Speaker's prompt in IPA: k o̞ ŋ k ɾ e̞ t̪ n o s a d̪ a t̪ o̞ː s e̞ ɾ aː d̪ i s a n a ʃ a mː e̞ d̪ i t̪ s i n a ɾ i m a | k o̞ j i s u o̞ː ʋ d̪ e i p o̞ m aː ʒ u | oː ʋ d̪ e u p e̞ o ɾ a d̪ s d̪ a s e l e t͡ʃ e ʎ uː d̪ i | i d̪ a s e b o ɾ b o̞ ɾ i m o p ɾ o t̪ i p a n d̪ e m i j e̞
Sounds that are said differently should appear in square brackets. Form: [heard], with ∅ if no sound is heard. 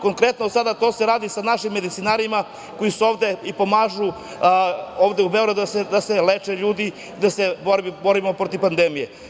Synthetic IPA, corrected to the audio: k o̞ ŋ k ɾ e̞ t̪ n o s a d̪ a t̪ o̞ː s e̞ ɾ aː d̪ i s a n a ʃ [i] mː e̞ d̪ i t̪ s i n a ɾ i m a | k o̞ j i s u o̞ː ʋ d̪ e i p o̞ m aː ʒ u | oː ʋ d̪ e u [b] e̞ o ɾ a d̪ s d̪ a s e l e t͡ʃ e ʎ uː d̪ i | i d̪ a s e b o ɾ b o̞ ɾ i m o p ɾ o t̪ i p a n d̪ e m i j e̞